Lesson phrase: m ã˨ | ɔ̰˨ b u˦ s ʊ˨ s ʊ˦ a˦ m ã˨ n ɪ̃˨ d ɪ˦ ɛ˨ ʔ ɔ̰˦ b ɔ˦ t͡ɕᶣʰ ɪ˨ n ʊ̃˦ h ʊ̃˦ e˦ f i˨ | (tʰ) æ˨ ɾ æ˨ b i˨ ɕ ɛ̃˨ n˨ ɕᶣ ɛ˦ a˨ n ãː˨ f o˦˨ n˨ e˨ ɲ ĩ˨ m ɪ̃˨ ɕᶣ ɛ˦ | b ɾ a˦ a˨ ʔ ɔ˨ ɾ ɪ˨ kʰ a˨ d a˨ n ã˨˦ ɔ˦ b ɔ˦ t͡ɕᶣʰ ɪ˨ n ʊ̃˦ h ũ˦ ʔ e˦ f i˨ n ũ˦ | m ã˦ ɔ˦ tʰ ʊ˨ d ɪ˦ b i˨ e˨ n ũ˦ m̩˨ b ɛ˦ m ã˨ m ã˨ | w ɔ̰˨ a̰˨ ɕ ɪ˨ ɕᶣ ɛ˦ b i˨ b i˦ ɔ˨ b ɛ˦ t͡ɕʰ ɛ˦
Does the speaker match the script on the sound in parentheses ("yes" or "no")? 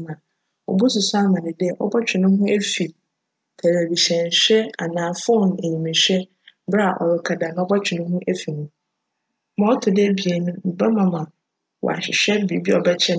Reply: yes